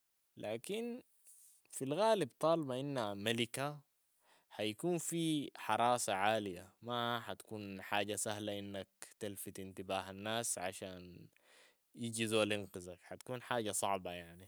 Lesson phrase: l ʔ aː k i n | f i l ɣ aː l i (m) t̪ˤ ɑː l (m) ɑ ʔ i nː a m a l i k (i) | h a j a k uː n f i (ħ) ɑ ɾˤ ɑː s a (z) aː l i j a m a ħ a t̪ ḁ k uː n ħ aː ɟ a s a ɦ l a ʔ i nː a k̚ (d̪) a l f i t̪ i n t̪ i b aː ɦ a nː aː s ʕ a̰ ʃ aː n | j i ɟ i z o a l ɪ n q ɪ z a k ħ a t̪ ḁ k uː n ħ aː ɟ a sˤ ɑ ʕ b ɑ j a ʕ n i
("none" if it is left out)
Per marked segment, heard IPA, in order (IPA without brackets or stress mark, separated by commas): b, b, a, ħ, ʕ, t̪